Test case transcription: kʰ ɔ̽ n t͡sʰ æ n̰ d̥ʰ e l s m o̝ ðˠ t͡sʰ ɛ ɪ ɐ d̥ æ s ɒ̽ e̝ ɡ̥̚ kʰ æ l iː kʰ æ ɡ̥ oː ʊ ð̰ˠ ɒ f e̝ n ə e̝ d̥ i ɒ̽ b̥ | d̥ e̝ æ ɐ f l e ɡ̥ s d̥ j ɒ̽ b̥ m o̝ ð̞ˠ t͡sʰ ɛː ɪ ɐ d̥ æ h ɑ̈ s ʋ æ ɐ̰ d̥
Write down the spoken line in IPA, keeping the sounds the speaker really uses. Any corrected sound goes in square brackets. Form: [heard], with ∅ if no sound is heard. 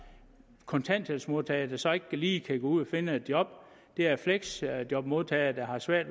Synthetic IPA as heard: kʰ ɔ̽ n t͡sʰ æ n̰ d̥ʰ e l s m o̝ ðˠ t͡sʰ ɛ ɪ ɐ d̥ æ s ɒ̽ e̝ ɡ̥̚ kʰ æ l iː kʰ æ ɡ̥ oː [u] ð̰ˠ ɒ f e̝ n ə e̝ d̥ [j] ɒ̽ b̥ | d̥ e̝ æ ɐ f l e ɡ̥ s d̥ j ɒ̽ b̥ m o̝ ð̞ˠ t͡sʰ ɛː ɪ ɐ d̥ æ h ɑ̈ s ʋ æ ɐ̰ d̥